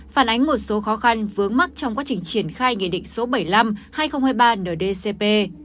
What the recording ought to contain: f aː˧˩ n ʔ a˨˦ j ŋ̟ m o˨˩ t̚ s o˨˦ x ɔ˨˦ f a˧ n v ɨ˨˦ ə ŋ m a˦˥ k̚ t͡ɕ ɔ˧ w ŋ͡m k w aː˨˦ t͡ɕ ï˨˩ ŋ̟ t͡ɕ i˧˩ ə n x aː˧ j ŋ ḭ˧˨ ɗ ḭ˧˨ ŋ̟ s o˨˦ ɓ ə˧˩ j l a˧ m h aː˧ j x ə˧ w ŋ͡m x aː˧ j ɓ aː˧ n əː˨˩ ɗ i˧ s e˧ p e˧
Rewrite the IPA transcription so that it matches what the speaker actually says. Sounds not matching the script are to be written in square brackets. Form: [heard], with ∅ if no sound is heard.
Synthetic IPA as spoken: f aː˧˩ n ʔ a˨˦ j ŋ̟ m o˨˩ t̚ s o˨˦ x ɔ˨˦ [x] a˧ n v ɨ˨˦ ə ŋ m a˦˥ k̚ t͡ɕ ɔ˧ w ŋ͡m k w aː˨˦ t͡ɕ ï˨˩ ŋ̟ t͡ɕ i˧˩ ə n x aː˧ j ŋ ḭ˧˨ ɗ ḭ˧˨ ŋ̟ s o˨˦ ɓ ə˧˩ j l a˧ m h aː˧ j x ə˧ w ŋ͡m [h] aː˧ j ɓ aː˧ n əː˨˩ ɗ [e˧] s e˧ p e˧